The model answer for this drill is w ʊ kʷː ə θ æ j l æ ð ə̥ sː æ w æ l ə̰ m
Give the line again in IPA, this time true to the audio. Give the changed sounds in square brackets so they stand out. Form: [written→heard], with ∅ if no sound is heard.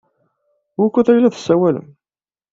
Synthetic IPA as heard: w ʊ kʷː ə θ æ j l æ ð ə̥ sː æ w æ l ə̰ m